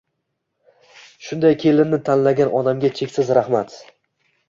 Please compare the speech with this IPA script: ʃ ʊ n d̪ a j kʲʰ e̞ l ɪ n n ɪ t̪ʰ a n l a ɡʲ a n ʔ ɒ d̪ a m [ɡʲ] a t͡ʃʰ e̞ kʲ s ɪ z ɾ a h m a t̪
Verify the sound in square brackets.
correct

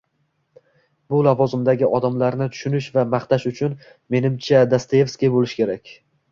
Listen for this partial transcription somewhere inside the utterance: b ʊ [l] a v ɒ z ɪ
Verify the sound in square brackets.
correct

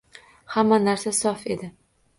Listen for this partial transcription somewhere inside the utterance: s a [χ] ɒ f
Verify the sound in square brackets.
incorrect: s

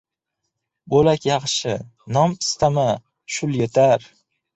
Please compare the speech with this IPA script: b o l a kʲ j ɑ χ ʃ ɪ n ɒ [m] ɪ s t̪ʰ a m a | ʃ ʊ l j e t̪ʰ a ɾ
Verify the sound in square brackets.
correct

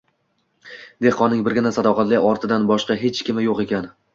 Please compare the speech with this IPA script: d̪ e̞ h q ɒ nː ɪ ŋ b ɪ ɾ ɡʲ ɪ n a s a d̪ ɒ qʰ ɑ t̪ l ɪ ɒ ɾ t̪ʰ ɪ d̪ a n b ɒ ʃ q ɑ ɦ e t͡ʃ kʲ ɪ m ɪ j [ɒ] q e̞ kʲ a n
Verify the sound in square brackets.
incorrect: o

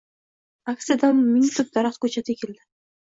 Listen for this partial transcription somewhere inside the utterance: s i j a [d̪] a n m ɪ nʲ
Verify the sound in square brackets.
correct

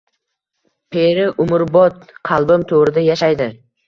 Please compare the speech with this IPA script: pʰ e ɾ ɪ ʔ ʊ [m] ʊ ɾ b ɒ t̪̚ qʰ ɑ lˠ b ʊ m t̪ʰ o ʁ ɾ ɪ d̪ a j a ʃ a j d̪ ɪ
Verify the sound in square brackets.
correct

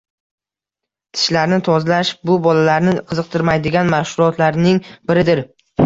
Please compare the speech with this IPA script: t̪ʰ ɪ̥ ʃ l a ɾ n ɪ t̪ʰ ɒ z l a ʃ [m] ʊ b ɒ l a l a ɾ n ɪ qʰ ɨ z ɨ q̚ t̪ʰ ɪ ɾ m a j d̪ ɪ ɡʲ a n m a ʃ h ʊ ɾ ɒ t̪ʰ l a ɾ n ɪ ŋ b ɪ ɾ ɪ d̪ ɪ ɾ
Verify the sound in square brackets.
incorrect: b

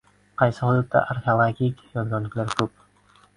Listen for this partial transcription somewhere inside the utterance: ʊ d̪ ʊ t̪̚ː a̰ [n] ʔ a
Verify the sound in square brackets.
incorrect: none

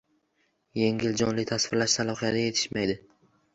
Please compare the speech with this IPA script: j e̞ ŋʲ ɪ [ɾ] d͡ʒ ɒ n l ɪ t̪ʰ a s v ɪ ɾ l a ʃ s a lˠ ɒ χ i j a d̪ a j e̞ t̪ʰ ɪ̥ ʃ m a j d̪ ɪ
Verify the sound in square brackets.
incorrect: l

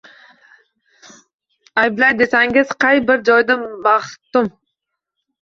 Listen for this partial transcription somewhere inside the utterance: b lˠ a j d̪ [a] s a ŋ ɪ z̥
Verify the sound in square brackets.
incorrect: e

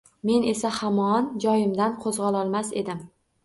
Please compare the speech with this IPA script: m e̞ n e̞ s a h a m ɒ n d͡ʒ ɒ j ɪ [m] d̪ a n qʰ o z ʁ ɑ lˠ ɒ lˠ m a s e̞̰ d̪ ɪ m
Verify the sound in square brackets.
correct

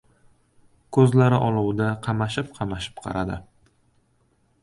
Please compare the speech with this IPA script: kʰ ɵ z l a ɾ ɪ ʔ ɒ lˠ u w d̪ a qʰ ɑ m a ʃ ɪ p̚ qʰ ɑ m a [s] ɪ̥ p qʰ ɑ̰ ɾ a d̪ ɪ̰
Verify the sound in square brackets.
incorrect: ʃ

